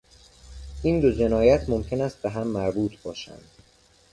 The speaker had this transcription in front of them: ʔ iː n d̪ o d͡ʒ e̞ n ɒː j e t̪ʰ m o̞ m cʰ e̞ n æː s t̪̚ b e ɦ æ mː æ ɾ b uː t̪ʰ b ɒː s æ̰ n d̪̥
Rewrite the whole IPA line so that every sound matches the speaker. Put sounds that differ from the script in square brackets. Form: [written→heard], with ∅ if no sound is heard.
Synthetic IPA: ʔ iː n d̪ o d͡ʒ e̞ n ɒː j [e→æ] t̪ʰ m o̞ m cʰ e̞ n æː s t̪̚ b e ɦ æ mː æ ɾ b uː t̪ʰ b ɒː [s→ʃ] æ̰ n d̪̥